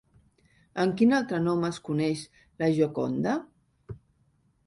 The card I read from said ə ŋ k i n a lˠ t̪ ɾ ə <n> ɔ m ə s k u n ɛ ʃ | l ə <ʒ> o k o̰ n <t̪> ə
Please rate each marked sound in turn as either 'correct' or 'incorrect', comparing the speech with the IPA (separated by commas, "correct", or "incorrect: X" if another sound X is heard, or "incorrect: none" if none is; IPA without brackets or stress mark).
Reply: correct, correct, incorrect: d̪